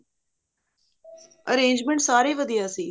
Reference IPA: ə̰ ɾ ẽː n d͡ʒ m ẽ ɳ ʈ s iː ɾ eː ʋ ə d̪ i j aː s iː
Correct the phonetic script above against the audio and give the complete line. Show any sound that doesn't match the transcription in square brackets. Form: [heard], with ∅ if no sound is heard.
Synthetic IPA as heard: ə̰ ɾ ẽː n d͡ʒ m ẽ ɳ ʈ s [aː] ɾ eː ʋ ə d̪ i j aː s iː